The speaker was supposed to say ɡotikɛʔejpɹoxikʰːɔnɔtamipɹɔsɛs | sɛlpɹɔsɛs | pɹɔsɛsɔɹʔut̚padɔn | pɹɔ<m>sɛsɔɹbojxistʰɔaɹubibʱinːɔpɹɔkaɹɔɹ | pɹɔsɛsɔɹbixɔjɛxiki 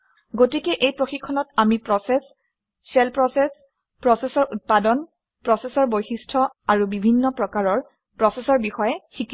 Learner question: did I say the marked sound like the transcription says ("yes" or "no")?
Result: no